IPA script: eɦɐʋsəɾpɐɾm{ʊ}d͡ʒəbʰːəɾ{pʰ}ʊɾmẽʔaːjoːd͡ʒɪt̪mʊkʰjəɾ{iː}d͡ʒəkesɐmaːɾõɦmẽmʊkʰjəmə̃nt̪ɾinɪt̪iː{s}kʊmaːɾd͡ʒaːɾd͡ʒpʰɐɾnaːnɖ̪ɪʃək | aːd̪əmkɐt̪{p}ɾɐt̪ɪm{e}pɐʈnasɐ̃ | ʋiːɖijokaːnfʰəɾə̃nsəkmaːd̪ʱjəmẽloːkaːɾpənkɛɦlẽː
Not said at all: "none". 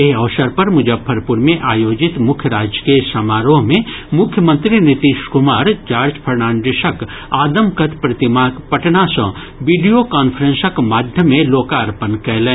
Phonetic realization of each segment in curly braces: ʊ, p, aː, ʃ, p, a

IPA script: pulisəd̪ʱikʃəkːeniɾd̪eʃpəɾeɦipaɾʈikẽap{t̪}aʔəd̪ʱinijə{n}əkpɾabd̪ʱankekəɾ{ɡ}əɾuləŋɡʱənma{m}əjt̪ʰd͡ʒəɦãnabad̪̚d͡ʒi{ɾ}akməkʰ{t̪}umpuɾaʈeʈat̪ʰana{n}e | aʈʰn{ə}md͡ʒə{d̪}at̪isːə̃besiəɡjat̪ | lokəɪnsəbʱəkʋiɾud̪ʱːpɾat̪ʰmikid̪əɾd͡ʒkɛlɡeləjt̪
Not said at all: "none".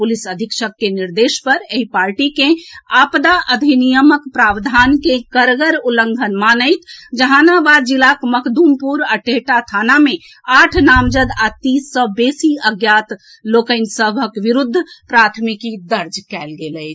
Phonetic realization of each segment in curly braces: d̪, m, ɡ, n, l, d̪, m, a, d̪

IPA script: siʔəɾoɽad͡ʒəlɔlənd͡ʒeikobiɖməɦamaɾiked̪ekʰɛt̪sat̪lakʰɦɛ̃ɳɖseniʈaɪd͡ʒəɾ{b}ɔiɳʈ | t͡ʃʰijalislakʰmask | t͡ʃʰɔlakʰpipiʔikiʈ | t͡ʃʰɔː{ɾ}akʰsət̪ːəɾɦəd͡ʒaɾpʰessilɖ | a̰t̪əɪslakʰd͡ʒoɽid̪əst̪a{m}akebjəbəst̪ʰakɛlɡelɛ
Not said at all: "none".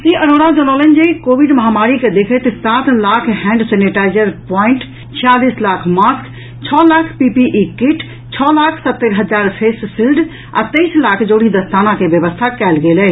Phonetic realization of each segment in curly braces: p, l, n

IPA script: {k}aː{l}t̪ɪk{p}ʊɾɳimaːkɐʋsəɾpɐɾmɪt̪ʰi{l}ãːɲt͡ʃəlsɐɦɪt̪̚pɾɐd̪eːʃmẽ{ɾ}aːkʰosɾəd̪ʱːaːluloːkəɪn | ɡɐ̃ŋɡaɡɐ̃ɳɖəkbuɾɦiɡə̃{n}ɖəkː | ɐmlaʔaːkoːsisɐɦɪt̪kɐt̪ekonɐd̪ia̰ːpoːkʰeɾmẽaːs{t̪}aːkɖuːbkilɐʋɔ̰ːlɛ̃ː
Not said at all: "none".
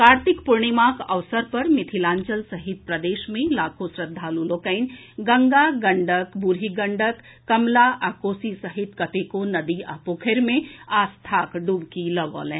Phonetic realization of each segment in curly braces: k, ɾ, p, l, l, ɳ, t̪ʰ

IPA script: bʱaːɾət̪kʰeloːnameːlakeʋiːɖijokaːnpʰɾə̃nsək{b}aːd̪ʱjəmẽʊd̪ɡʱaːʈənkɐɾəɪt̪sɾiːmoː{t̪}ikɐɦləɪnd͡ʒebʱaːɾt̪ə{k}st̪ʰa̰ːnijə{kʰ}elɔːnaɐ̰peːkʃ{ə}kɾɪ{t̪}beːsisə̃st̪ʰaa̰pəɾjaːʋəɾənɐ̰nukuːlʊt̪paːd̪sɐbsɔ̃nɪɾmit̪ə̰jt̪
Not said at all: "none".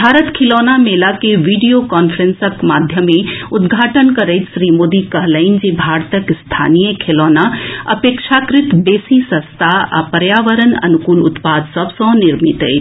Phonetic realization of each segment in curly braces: m, d̪, k, kʰ, a, t̪

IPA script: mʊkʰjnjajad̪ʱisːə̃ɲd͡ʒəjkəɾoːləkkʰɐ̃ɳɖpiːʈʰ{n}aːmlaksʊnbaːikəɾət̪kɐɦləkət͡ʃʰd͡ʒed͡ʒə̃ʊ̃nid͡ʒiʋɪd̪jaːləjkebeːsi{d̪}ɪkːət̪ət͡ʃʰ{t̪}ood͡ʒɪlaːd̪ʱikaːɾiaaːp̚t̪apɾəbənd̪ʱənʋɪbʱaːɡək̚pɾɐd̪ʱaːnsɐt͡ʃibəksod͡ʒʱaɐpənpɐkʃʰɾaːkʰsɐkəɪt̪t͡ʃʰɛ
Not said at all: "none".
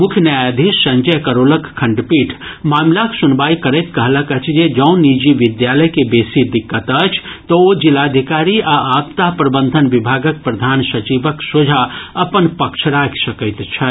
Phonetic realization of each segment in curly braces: m, d̪, t̪

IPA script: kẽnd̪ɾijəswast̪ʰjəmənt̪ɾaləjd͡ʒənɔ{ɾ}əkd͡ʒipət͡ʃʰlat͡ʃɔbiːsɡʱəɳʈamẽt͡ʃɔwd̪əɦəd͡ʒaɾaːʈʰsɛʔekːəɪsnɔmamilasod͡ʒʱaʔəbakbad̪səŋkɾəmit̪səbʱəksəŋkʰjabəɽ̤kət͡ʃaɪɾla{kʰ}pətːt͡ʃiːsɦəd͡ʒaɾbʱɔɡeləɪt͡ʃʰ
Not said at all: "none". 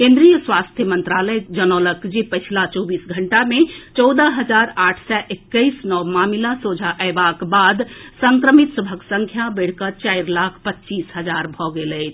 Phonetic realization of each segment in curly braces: l, kʰ

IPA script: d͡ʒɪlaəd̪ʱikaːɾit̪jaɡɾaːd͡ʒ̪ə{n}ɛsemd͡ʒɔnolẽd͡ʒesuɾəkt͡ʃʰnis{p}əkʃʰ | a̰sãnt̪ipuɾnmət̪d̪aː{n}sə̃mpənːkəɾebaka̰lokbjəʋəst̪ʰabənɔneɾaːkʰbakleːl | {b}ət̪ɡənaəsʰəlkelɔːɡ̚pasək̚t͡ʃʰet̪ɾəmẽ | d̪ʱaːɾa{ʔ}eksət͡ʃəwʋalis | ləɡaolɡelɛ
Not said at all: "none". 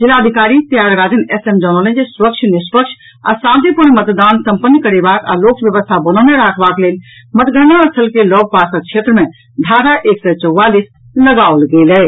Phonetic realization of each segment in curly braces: n, p, n, m, ʔ

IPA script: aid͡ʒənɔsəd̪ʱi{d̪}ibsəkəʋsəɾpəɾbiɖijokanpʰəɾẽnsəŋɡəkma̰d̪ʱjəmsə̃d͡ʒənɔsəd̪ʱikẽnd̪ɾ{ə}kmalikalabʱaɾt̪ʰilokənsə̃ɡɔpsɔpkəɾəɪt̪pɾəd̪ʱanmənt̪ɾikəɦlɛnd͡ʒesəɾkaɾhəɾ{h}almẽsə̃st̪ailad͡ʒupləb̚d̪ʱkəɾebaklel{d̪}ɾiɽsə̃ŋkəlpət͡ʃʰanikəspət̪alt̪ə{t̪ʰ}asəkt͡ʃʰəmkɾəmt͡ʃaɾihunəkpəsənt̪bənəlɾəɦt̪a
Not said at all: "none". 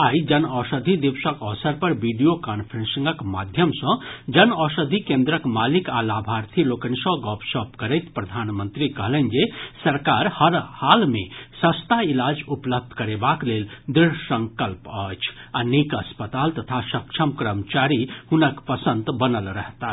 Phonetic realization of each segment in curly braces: d̪, ə, h, d̪, t̪ʰ

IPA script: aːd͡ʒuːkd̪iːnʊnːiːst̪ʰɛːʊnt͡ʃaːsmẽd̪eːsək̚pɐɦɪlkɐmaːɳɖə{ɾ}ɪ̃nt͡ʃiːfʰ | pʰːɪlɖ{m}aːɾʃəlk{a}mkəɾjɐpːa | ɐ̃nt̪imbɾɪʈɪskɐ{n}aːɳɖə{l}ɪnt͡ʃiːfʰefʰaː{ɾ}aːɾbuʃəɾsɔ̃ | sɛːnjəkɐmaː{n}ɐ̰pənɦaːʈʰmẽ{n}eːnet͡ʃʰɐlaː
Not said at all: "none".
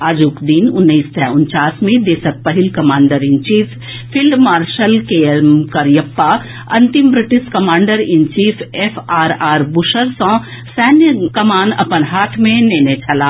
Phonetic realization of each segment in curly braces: ɾ, m, e, m, ɾ, ɾ, n, n

